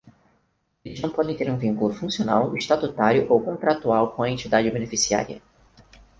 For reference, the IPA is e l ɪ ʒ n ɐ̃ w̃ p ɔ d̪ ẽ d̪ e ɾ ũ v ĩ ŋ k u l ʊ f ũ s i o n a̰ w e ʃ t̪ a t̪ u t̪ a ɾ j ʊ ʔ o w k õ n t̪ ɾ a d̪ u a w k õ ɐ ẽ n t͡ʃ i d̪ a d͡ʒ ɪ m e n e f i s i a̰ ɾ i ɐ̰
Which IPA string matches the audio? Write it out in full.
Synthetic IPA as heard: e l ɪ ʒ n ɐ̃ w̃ p ɔ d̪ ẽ t̪ e ɾ ũ v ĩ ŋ k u l ʊ f ũ s i o n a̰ w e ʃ t̪ a t̪ u t̪ a ɾ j ʊ ʔ o w k õ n t̪ ɾ a t̪ u a w k õ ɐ ẽ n t͡ʃ i d̪ a d͡ʒ ɪ b e n e f i s i a̰ ɾ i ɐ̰